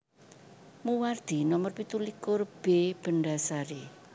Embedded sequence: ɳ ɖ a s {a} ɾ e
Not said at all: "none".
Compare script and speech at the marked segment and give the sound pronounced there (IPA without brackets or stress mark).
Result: a